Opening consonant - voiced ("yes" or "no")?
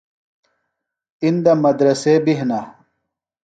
yes